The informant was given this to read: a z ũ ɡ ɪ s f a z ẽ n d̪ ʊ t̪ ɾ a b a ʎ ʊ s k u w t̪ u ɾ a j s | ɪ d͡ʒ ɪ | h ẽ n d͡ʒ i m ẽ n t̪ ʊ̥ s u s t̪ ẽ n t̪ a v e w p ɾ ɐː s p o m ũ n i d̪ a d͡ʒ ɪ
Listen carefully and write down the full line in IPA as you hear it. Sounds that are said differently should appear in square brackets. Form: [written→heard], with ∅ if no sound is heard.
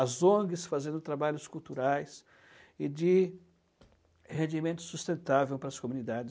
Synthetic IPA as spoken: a z [ũ→õ] ɡ ɪ s f a z ẽ n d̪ ʊ t̪ ɾ a b a ʎ ʊ s k u w t̪ u ɾ a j s | ɪ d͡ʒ ɪ | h ẽ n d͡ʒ i m ẽ n t̪ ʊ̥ s u s t̪ ẽ n t̪ a v e w p ɾ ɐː s [p→k] o m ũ n i d̪ a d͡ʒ ɪ